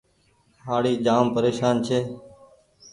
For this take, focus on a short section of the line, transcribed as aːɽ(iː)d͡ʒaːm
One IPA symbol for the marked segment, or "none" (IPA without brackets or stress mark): iː